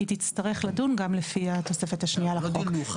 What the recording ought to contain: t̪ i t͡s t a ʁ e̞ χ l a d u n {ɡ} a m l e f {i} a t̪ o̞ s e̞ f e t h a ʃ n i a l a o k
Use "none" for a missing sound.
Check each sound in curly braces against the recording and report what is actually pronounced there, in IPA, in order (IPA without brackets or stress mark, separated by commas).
ɡ, i